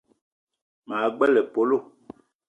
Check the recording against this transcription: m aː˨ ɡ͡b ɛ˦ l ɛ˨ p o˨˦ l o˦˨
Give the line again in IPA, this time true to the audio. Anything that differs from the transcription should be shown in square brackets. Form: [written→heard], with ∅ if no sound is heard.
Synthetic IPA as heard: m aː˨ ɡ͡b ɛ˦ l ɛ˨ p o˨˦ l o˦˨